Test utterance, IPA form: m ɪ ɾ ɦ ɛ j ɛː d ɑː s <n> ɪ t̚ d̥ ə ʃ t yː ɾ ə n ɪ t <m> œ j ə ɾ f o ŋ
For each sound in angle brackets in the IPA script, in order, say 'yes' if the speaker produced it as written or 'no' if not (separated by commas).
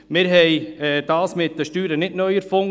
no, no